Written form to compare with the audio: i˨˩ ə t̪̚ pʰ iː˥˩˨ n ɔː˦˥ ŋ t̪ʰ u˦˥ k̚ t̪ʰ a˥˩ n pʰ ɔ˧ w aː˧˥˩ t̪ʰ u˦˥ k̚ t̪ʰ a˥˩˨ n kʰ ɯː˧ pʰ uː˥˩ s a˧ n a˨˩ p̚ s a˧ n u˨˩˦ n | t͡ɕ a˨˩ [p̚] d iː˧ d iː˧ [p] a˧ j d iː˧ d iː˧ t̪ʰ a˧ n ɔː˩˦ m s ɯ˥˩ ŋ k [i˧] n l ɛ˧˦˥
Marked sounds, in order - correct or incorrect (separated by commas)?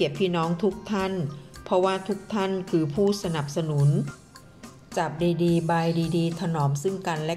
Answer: correct, incorrect, incorrect